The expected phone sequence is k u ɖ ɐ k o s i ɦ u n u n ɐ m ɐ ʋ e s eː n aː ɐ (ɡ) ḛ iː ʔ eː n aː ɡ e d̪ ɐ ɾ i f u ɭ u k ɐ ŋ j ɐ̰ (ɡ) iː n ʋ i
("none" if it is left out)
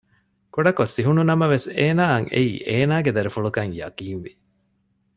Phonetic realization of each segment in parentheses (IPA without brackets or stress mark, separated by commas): ŋ, k